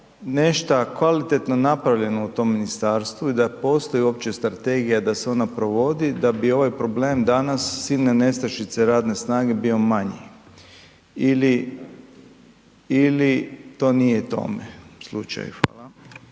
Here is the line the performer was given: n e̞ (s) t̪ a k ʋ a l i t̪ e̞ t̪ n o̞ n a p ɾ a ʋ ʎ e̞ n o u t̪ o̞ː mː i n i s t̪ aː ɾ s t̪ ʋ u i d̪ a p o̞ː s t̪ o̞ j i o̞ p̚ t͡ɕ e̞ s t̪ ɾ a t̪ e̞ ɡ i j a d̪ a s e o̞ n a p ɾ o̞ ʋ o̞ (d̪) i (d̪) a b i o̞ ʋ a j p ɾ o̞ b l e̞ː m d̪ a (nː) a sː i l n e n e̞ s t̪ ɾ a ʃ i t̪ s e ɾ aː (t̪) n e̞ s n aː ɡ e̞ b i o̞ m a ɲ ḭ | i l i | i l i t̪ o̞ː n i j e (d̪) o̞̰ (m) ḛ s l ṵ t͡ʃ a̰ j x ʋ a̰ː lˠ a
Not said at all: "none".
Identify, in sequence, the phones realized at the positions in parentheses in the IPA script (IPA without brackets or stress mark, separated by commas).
ʃ, d̪, d̪, n, d̪, t̪, m